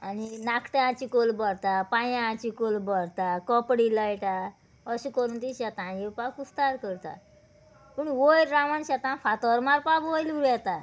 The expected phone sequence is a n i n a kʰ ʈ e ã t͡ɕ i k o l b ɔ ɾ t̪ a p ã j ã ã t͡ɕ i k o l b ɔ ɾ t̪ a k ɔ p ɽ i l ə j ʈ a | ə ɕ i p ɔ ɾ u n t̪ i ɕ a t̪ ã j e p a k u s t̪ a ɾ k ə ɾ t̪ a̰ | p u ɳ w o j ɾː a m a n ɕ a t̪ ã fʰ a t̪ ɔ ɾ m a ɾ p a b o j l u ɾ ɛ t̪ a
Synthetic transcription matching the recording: a n i n a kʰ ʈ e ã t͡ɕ i k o l b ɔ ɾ t̪ a p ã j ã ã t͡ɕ i k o l b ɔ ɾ t̪ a k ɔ p ɽ i l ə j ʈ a | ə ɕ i k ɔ ɾ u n t̪ i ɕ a t̪ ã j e p a k u s t̪ a ɾ k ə ɾ t̪ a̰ | p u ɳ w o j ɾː a m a n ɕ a t̪ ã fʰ a t̪ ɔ ɾ m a ɾ p a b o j l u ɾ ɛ t̪ a

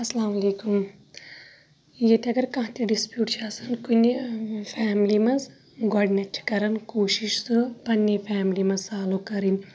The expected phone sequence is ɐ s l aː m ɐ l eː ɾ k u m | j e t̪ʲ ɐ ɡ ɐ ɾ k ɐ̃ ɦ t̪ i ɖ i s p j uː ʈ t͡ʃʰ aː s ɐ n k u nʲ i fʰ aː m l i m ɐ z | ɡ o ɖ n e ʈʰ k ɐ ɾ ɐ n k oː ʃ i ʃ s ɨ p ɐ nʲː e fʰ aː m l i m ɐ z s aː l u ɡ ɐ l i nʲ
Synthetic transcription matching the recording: ɐ s l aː m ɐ l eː k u m | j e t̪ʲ ɐ ɡ ɐ ɾ k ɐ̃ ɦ t̪ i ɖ i s p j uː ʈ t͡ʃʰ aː s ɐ n k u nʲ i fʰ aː m l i m ɐ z | ɡ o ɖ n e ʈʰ k ɐ ɾ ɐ n k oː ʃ i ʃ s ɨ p ɐ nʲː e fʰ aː m l i m ɐ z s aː l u k ɐ ɾ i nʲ

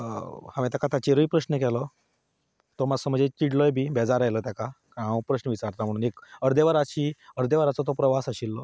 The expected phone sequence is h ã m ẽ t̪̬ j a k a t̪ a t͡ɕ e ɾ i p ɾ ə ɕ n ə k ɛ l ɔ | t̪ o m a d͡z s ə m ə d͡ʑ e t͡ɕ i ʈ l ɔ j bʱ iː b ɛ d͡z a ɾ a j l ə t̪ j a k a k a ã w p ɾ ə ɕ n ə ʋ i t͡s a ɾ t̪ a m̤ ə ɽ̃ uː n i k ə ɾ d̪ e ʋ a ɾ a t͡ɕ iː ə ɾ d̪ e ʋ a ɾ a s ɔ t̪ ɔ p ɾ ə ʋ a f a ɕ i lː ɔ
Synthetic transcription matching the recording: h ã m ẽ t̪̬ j a k a t̪ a t͡ɕ e ɾ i p ɾ ə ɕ n ə k ɛ l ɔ | t̪ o m a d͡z s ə m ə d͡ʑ e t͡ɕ i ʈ l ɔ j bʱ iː b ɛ d͡z a ɾ a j l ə t̪ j a k a k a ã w p ɾ ə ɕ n ə ʋ i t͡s a ɾ t̪ a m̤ ə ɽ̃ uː n e k ə ɾ d̪ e ʋ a ɾ a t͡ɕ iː ə ɾ d̪ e ʋ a ɾ a t͡s ɔ t̪ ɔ p ɾ ə ʋ a s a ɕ i lː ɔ

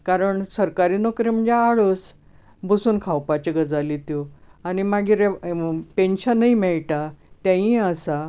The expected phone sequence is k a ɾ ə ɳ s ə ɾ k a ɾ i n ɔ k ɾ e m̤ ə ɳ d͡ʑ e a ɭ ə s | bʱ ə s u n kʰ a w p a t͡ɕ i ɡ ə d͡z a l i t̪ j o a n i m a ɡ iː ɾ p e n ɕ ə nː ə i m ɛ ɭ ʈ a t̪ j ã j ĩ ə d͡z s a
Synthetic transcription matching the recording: k a ɾ ə ɳ s ə ɾ k a ɾ i n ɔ k ɾ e m̤ ə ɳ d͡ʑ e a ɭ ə s | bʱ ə s uː n kʰ a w p a t͡ɕ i ɡ ə d͡z a l i t̪ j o a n i m a ɡ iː ɾ p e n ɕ ə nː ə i m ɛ ɭ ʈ a t̪ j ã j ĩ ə s a

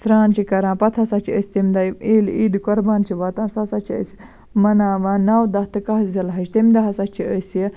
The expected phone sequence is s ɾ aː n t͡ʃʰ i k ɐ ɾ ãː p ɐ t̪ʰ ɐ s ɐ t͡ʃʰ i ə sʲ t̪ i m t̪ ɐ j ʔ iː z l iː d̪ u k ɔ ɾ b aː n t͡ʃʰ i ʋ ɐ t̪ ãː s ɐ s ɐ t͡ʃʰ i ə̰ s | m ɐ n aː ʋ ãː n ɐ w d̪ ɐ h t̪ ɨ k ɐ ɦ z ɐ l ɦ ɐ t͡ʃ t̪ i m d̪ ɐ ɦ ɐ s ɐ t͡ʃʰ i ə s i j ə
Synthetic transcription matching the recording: s ɾ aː n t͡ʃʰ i k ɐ ɾ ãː p ɐ t̪ʰ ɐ s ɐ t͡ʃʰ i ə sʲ t̪ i m d̪ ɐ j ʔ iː l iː d̪ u k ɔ ɾ b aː n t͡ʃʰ i ʋ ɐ t̪ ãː s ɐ s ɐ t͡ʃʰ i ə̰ s | m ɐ n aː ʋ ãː n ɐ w d̪ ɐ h t̪ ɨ k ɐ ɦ z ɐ l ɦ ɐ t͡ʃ t̪ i m d̪ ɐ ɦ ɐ s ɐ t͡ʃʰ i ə s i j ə

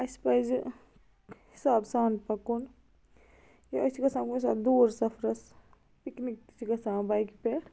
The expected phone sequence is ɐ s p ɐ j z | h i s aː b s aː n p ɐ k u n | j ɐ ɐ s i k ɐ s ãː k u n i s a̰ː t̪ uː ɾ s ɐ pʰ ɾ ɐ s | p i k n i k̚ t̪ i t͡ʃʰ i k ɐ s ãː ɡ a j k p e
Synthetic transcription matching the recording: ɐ s p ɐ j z | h i s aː b s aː n p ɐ k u n | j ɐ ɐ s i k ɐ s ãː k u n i s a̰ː d̪ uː ɾ s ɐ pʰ ɾ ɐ s | p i k n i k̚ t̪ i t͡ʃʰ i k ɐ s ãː b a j k p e

